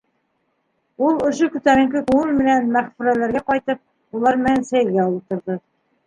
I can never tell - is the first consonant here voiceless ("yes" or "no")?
no